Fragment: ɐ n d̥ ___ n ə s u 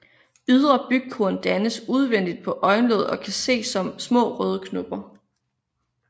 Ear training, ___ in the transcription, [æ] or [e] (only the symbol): æ